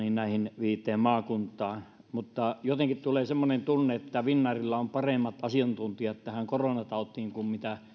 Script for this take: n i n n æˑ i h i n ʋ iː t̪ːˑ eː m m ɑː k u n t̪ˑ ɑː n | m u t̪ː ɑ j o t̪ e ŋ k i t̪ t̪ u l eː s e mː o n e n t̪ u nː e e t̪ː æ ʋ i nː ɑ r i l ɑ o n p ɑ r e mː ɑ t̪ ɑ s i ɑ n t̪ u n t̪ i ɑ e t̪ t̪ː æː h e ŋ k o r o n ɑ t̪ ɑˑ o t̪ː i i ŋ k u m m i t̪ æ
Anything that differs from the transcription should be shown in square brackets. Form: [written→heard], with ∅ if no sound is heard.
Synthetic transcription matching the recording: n i n n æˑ i h i n ʋ iː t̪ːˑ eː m m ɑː k u n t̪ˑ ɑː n | m u t̪ː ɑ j o t̪ e ŋ k i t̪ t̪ u l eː s e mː o n e n t̪ u nː e e t̪ː æ ʋ i nː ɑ r i [l→lː] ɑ o [n→m] p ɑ r e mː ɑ t̪ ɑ s i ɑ n t̪ u n t̪ i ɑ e t̪ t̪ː [æː→æ] h [e→æ] ŋ k o r o n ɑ t̪ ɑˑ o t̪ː i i ŋ k u m m i t̪ æ